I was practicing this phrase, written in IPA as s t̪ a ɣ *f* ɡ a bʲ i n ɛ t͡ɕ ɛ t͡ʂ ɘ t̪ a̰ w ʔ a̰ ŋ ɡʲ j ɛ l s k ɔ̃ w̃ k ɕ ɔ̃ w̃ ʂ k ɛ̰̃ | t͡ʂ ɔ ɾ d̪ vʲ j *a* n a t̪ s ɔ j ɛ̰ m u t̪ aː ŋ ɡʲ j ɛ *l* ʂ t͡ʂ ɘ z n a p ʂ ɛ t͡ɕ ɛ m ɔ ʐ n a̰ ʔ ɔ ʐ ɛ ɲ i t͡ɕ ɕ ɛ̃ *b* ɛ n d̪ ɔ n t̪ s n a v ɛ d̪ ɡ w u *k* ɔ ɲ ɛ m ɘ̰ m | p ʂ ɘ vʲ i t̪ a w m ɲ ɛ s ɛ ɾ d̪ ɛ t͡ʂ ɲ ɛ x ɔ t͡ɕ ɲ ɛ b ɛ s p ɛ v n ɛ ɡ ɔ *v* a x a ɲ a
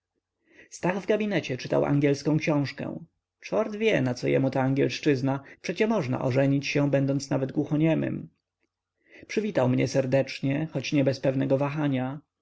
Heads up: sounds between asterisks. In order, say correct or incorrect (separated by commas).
incorrect, incorrect, correct, correct, incorrect, correct